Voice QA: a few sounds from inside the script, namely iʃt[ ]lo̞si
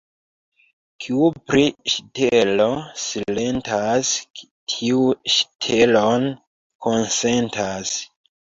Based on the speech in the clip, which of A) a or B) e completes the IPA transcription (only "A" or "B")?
B